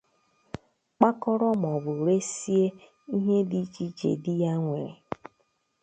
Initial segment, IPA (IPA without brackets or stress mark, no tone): k͡p